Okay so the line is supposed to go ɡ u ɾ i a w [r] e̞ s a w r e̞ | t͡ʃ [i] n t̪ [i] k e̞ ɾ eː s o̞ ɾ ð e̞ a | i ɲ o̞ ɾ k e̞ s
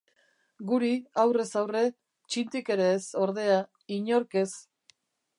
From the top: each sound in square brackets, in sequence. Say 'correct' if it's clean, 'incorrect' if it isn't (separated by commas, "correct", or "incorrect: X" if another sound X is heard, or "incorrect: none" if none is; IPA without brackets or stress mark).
correct, correct, correct